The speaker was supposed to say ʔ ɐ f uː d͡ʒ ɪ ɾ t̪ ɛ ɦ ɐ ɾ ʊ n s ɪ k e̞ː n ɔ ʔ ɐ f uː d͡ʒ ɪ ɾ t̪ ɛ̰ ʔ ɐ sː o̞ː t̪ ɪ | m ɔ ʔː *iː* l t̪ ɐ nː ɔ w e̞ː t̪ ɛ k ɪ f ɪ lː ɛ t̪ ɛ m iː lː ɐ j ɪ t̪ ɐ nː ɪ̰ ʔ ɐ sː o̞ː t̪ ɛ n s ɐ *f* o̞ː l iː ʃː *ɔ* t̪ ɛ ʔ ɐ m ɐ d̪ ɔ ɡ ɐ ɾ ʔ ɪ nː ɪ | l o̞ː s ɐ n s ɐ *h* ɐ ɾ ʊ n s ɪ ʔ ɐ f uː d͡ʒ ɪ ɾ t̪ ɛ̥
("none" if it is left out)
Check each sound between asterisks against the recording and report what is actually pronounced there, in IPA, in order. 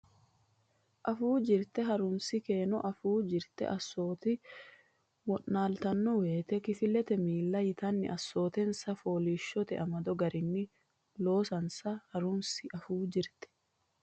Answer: aː, f, ɔ, h

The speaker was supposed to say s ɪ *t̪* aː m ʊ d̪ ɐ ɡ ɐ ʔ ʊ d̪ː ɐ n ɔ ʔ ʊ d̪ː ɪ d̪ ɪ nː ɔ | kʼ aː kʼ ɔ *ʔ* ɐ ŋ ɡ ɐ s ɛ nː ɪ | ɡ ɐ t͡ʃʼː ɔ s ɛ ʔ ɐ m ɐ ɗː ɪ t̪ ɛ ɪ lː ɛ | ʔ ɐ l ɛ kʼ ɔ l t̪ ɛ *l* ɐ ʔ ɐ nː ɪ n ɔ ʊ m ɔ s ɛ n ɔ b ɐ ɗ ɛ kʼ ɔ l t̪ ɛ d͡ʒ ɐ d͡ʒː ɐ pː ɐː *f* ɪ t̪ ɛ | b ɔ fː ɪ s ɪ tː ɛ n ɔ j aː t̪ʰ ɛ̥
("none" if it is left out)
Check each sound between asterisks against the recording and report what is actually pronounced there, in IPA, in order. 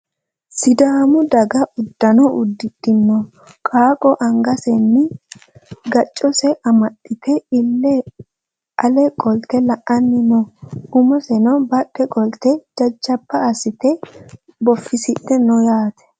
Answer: d̪, ʔ, l, s

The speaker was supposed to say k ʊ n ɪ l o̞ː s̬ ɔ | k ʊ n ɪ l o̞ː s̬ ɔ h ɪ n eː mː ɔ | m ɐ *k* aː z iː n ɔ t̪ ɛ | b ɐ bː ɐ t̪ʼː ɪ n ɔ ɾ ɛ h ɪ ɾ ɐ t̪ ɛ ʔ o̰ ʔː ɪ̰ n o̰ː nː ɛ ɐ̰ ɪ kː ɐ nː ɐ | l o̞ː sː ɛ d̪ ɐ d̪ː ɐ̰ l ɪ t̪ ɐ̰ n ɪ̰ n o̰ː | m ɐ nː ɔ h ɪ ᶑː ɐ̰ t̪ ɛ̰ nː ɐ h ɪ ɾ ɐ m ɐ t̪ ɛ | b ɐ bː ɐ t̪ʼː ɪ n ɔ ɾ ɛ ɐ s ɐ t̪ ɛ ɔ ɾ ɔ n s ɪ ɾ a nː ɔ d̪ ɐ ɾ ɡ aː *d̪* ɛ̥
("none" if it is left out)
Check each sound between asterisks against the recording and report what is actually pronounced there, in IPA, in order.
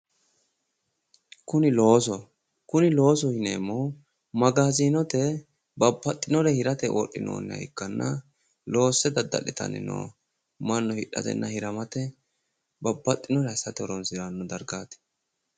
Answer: ɡ, t̪

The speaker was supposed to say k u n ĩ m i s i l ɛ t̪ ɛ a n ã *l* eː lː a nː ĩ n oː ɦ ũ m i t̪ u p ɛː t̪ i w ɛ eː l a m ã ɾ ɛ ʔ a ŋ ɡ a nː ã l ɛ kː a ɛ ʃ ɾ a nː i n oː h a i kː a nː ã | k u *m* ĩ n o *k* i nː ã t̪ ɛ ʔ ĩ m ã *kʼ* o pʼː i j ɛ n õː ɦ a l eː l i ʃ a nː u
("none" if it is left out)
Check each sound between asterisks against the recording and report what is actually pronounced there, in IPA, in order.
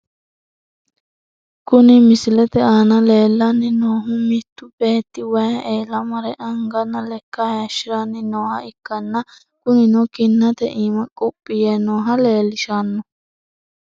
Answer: l, n, k, kʼ

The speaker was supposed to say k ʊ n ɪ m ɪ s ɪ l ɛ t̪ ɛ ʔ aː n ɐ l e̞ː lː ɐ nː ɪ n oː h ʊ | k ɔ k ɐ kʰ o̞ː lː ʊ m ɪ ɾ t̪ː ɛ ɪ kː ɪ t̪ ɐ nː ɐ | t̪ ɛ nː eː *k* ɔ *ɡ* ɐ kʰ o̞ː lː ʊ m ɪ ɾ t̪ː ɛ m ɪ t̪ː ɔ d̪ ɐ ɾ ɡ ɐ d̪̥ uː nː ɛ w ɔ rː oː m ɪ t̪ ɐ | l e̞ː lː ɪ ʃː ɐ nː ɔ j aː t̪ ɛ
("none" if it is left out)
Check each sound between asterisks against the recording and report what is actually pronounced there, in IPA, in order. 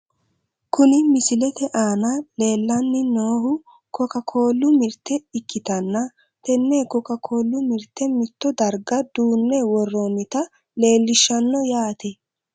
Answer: k, k

